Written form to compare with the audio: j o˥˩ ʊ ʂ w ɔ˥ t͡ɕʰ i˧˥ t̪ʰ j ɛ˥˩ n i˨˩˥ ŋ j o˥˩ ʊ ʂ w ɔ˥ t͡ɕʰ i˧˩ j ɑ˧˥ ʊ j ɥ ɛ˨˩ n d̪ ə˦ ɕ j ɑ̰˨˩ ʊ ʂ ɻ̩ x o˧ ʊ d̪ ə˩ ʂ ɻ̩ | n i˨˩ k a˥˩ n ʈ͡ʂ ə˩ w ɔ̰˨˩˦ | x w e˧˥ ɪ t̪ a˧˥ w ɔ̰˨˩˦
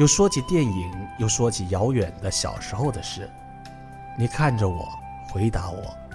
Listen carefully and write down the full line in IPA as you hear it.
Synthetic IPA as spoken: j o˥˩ ʊ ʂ w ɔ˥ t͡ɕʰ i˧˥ t̪ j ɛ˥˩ n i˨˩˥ ŋ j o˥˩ ʊ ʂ w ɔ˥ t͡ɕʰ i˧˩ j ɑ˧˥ ʊ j ɥ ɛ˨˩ n d̪ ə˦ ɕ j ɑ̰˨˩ ʊ ʂ ɻ̩ x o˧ ʊ d̪ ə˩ ʂ ɻ̩ | n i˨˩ kʰ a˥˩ n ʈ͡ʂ ə˩ w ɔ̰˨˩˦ | x w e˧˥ ɪ t̪ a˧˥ w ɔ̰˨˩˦